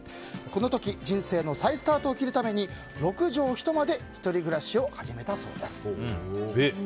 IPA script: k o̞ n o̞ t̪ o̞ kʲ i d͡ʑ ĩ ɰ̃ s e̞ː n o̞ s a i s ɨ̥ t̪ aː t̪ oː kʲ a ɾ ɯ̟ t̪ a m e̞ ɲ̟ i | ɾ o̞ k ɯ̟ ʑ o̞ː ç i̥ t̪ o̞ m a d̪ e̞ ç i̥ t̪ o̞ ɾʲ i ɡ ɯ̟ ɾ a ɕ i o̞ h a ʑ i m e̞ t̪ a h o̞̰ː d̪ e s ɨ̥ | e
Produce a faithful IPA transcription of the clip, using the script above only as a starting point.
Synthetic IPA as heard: k o̞ n o̞ t̪ o̞ kʲ i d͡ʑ ĩ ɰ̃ s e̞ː n o̞ s a i s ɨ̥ t̪ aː t̪ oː kʲ i ɾ ɯ̟ t̪ a m e̞ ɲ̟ i | ɾ o̞ k ɯ̟ ʑ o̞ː ç i̥ t̪ o̞ m a d̪ e̞ ç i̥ t̪ o̞ ɾʲ i ɡ ɯ̟ ɾ a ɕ i o̞ h a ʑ i m e̞ t̪ a s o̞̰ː d̪ e s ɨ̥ | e